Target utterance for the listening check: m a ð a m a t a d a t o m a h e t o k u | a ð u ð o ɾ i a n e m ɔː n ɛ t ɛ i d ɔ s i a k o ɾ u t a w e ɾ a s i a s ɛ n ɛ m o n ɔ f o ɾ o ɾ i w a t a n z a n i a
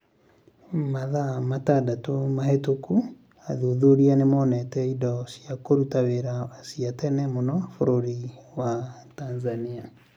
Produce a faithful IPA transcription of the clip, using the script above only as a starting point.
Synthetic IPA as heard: m a ð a m a t a d a t o m a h e t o k u | a ð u ð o ɾ i a n e m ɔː n ɛ t ɛ i d ɔ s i a k o ɾ u t a w e ɾ a s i a t ɛ n ɛ m o n ɔ f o ɾ o ɾ i w a t a n z a n i a